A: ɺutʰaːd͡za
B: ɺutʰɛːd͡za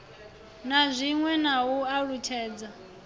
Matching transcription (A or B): B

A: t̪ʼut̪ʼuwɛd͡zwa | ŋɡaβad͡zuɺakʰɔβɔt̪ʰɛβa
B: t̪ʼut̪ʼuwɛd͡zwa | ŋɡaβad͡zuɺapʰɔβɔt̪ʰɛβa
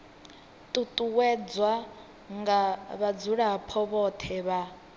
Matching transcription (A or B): B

